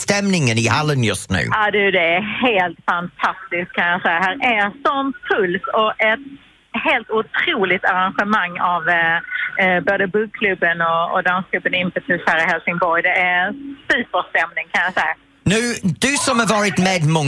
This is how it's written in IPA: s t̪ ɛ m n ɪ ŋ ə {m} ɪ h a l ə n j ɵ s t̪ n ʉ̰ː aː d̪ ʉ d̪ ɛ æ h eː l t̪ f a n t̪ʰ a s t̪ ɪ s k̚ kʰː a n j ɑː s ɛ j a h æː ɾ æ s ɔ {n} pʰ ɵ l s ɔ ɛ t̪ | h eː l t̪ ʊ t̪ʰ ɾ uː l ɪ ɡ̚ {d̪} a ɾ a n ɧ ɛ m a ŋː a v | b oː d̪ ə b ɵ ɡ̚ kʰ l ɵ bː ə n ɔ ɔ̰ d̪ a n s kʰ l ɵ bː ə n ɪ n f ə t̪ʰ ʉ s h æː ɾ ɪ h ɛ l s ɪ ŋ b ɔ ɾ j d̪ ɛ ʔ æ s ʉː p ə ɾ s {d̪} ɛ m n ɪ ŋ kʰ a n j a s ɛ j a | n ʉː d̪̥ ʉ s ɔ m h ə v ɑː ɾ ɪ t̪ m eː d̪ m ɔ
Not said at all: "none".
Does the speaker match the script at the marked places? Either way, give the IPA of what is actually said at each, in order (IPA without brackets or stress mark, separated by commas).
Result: n, m, t̪, t̪